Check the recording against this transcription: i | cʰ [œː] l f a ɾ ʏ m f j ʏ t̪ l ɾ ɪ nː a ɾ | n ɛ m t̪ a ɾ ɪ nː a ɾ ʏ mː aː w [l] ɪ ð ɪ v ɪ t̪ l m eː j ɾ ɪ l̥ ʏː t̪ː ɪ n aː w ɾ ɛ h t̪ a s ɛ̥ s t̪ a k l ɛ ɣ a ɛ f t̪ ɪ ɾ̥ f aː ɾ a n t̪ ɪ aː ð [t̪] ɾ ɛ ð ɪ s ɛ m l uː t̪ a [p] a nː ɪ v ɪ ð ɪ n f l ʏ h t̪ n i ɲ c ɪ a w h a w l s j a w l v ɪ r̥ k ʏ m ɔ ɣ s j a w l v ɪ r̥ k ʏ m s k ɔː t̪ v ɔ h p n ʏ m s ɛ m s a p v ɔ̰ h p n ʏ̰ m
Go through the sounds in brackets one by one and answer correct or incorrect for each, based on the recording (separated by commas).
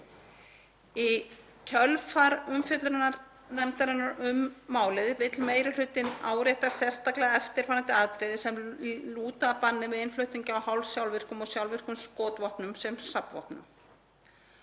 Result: incorrect, correct, correct, correct